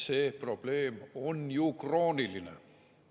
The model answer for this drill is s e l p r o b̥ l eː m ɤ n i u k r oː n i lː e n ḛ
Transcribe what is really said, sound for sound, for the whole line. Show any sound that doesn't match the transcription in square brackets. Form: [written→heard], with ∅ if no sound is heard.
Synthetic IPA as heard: s e [l→∅] p r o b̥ l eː m [ɤ→o] n [i→j] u k r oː n i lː [e→i] n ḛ